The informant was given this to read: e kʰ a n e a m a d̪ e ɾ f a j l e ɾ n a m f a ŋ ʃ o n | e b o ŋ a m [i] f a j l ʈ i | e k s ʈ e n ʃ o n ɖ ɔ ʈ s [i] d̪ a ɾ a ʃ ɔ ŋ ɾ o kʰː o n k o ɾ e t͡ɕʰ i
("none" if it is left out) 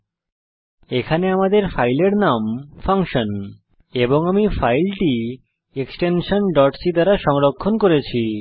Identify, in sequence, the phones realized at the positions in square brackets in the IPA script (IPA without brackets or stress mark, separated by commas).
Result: i, i